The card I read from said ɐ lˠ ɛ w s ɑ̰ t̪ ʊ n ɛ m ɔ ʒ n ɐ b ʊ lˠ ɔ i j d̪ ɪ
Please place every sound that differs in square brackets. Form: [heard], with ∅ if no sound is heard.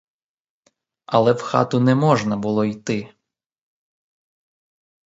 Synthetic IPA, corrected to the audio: ɐ lˠ ɛ w [x] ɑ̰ t̪ ʊ n ɛ m ɔ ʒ n ɐ b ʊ lˠ ɔ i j [t̪] ɪ